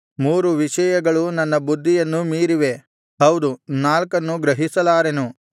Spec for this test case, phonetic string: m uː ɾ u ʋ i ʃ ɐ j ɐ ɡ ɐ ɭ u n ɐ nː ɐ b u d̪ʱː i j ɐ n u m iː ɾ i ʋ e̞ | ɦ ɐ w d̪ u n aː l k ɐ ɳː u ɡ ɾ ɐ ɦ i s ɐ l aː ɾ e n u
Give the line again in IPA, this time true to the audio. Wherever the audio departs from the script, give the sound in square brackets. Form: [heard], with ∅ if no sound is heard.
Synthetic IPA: m uː ɾ u ʋ i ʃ ɐ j ɐ ɡ ɐ ɭ u n ɐ nː ɐ b u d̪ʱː i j ɐ [nː] u m iː ɾ i ʋ e̞ | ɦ ɐ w d̪ u n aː l k ɐ [nː] u ɡ ɾ ɐ ɦ i s ɐ l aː ɾ e n u